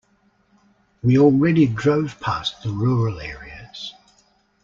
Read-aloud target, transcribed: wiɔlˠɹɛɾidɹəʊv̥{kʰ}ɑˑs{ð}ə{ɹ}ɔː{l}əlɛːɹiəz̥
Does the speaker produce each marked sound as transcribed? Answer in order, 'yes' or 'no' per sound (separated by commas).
no, yes, yes, no